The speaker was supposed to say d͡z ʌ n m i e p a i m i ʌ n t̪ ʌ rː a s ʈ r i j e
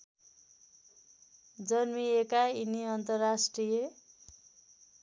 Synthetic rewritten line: d͡z ʌ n m i e k a i n i ʌ n t̪ ʌ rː a s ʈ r i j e